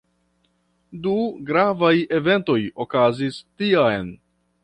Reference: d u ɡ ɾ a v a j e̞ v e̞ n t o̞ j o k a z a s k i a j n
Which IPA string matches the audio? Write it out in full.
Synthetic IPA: d u ɡ ɾ a v a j e̞ v e̞ n t o̞ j o k a z i s t i a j n